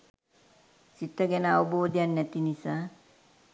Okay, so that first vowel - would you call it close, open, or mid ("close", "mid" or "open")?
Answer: close